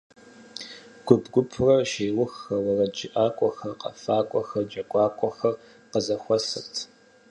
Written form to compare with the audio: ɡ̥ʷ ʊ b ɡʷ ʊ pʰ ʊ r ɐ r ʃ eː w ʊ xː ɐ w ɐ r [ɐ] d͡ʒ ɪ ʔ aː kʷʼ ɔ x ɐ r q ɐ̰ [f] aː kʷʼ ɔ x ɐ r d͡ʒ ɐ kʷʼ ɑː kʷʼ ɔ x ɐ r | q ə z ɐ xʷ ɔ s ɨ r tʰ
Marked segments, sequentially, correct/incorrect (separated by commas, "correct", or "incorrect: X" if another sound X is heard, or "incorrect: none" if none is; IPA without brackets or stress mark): correct, correct